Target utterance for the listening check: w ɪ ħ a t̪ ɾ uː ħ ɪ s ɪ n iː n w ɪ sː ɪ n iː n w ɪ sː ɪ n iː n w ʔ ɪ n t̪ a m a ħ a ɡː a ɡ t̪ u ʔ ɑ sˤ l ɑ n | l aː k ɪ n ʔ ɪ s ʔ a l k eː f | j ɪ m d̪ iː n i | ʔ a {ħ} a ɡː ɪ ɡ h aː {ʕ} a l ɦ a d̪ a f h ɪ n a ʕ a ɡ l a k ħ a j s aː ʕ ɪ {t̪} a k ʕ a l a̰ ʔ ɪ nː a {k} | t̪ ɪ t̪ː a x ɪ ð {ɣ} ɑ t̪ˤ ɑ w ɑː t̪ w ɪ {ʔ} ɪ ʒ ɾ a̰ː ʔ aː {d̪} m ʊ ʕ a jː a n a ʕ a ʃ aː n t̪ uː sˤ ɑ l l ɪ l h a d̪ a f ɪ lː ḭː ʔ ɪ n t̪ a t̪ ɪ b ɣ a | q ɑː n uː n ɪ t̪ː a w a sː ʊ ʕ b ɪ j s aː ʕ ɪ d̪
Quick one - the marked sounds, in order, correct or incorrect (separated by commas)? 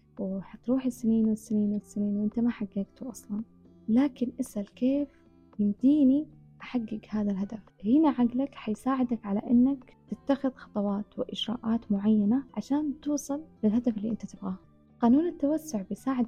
correct, incorrect, incorrect, correct, incorrect, correct, incorrect